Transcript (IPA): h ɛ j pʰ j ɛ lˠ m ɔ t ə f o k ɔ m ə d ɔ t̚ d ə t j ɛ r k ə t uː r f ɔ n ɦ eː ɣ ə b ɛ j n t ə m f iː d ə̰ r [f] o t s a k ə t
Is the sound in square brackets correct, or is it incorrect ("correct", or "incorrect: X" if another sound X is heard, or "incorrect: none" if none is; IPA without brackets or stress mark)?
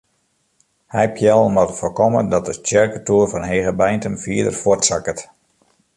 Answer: correct